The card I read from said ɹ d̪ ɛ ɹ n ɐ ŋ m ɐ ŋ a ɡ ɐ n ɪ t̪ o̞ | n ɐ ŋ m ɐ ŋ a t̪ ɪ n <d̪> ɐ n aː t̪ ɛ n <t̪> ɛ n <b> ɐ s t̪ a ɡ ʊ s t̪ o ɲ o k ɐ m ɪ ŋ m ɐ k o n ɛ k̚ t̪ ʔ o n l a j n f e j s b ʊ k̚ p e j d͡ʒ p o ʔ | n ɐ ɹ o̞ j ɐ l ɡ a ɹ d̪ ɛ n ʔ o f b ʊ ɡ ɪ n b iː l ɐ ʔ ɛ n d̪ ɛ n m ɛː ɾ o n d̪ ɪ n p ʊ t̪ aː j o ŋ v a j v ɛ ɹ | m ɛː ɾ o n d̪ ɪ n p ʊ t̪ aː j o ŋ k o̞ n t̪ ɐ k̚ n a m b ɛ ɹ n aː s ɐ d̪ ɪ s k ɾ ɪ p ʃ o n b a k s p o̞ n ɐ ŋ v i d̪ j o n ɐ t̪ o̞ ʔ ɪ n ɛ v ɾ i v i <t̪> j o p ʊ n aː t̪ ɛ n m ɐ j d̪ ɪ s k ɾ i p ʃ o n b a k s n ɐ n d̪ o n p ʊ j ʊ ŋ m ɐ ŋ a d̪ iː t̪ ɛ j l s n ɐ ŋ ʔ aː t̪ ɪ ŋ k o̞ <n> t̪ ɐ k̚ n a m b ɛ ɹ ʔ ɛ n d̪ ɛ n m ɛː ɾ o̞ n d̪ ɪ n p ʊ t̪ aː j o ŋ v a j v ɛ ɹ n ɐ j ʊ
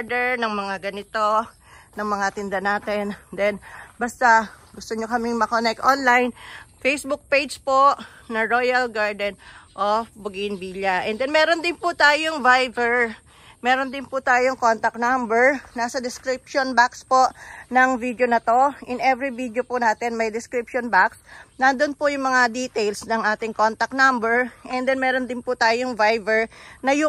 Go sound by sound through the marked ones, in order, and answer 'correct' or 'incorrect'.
correct, incorrect, correct, incorrect, correct

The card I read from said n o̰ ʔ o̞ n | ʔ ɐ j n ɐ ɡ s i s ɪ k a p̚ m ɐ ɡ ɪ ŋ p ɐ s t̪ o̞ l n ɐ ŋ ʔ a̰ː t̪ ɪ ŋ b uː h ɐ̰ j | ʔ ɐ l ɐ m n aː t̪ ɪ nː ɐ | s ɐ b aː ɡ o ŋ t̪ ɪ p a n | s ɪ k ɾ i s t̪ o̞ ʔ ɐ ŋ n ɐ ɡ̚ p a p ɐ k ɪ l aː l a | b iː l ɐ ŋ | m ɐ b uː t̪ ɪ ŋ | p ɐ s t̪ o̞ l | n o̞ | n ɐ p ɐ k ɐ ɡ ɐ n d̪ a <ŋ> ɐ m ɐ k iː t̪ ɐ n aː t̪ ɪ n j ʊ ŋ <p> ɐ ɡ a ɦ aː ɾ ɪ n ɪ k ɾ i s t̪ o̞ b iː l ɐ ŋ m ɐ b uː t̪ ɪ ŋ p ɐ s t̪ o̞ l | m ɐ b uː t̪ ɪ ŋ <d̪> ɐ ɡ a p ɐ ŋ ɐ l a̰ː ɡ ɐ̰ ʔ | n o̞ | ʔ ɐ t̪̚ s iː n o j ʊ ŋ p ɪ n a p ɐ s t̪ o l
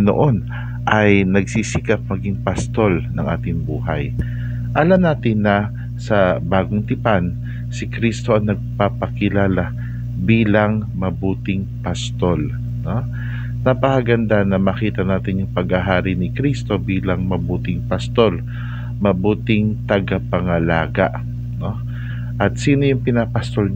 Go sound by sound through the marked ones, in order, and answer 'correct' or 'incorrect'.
incorrect, correct, incorrect

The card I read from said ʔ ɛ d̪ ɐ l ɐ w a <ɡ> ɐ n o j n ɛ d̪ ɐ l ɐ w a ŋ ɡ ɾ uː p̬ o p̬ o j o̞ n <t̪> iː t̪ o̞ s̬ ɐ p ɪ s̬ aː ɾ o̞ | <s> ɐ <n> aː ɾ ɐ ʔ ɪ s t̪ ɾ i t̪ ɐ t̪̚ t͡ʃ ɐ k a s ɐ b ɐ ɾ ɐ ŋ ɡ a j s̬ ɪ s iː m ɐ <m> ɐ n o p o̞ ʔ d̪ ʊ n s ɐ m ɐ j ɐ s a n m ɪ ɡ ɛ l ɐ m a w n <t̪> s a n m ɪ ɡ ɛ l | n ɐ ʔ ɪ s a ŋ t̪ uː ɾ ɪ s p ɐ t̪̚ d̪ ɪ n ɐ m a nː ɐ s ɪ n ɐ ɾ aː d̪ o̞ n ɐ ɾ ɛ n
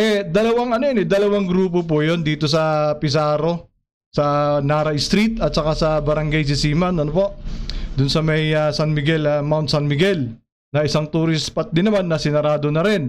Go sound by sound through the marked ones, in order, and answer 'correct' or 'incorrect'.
incorrect, incorrect, correct, correct, incorrect, correct

